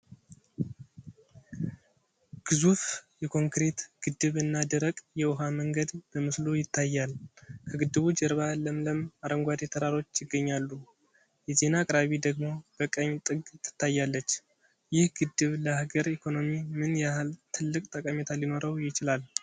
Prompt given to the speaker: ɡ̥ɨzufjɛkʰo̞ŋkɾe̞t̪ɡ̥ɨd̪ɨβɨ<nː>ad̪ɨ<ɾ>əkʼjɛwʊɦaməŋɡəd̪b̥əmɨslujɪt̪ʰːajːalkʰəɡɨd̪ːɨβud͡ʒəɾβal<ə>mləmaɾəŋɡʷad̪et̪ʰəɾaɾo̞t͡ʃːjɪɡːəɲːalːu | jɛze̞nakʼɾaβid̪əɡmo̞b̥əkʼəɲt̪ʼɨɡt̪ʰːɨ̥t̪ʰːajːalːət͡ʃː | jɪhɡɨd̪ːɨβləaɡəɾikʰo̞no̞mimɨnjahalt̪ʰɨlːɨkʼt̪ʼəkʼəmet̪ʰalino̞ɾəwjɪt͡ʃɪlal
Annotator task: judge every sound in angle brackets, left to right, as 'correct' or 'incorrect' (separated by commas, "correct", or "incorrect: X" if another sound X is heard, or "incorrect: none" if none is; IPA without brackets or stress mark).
correct, correct, correct